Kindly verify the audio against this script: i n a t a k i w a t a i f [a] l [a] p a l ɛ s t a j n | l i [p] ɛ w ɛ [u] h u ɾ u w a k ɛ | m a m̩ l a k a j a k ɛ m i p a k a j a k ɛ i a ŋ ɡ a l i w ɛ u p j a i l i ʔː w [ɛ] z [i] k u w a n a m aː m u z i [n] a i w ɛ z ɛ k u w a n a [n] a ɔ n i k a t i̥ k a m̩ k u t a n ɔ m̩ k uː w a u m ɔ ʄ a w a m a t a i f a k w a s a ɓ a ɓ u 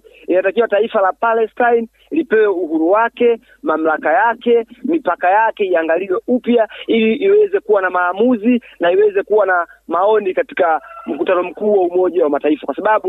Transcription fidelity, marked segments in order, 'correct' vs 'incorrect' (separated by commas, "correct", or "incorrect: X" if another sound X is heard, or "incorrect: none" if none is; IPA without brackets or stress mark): correct, correct, correct, correct, correct, incorrect: ɛ, correct, incorrect: m